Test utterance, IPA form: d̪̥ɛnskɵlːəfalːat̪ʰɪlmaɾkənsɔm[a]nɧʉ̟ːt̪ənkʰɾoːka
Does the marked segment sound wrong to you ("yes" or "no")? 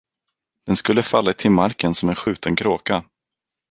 yes